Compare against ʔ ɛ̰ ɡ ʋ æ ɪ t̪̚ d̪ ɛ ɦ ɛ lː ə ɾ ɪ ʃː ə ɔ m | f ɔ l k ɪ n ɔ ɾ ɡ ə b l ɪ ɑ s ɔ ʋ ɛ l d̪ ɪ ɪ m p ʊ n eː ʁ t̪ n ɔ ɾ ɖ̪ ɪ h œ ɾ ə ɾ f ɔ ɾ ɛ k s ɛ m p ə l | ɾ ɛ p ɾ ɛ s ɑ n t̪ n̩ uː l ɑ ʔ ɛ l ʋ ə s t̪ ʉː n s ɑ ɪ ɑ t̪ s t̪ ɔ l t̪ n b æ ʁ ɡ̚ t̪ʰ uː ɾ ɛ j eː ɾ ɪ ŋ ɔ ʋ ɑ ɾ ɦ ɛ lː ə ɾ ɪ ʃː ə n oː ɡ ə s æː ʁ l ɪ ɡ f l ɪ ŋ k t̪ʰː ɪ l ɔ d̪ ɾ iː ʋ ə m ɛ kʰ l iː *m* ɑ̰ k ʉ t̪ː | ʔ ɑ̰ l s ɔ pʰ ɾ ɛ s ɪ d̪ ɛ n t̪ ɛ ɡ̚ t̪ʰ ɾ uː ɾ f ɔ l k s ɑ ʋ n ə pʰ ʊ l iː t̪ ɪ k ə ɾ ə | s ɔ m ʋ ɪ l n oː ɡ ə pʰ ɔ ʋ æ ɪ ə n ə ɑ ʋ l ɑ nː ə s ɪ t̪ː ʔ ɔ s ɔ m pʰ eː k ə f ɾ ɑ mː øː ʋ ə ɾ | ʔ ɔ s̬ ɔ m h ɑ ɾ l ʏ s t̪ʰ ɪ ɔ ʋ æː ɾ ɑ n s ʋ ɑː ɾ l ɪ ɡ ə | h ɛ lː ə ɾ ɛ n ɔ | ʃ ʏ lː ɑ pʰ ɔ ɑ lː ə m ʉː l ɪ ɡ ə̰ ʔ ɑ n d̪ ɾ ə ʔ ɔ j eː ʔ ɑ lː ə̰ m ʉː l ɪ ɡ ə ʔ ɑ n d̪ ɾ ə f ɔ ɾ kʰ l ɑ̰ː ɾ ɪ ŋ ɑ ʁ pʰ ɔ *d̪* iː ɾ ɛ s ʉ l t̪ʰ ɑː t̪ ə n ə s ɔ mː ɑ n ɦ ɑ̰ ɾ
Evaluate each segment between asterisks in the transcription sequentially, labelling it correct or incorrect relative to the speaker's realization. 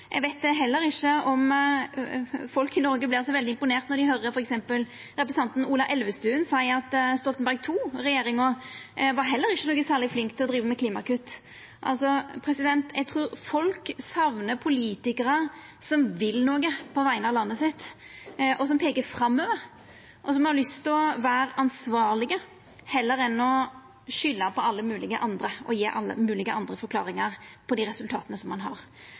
correct, correct

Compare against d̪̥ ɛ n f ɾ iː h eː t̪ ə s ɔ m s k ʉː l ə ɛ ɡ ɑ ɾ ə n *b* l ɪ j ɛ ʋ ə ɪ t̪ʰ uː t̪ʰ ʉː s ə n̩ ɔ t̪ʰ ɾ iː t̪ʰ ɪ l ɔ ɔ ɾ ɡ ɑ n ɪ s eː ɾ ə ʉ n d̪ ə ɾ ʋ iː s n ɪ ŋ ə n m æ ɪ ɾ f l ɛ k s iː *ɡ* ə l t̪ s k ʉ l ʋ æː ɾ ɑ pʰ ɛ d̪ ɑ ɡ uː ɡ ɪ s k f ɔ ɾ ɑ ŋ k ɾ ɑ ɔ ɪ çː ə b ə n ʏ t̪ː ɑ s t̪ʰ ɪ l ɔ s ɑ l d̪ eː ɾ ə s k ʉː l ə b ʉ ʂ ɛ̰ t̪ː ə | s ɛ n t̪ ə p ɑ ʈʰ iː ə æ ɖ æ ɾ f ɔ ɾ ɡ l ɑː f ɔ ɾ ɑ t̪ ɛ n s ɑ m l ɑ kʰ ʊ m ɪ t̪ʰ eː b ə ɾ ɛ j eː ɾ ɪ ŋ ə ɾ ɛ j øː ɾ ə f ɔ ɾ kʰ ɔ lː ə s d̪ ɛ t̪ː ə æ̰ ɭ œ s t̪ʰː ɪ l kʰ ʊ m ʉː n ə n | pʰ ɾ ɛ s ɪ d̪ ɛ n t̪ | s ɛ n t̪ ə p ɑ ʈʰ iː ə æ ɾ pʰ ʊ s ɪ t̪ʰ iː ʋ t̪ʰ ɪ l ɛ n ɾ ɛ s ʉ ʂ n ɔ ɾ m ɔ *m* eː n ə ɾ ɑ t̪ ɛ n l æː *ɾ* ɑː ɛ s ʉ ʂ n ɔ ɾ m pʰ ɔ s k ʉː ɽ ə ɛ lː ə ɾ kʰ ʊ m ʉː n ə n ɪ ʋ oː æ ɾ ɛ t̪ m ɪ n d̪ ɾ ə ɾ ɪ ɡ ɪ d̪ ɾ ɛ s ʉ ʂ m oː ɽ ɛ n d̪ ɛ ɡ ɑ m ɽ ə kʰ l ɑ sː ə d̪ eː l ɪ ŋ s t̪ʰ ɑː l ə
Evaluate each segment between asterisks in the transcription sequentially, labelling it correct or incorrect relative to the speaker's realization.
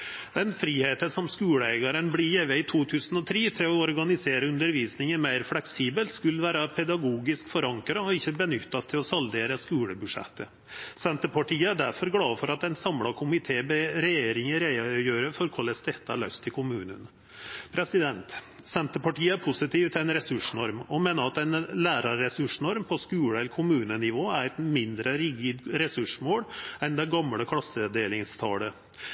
correct, incorrect: b, correct, correct

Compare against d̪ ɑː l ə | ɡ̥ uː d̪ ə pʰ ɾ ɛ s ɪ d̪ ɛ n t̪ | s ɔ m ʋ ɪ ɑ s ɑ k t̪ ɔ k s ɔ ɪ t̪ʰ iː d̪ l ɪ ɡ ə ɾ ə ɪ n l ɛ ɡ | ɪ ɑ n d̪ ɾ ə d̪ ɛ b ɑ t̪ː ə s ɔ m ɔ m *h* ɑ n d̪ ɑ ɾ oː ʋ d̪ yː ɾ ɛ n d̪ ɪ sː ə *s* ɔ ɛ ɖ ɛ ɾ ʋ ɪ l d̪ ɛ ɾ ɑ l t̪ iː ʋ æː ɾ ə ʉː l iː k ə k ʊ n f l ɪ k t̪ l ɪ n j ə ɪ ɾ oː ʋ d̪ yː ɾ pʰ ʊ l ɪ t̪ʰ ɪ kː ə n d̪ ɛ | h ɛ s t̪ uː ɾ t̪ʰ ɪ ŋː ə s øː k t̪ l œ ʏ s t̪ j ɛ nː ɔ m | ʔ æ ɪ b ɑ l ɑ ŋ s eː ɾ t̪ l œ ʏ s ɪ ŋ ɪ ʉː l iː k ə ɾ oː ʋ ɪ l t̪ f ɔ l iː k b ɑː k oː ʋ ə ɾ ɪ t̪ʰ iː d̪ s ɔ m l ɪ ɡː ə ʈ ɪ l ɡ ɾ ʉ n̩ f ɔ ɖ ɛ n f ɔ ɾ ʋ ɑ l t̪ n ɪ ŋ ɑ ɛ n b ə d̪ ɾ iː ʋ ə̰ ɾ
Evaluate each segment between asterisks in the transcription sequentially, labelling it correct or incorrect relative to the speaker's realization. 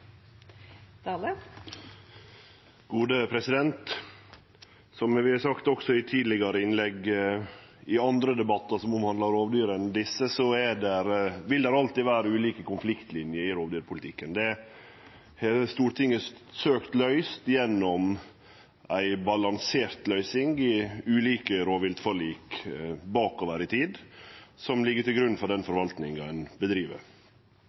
correct, correct

